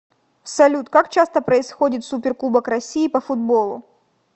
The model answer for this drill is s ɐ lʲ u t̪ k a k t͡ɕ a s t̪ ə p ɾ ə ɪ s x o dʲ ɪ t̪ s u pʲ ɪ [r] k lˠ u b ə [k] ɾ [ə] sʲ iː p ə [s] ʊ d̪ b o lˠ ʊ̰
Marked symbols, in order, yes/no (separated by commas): yes, yes, no, no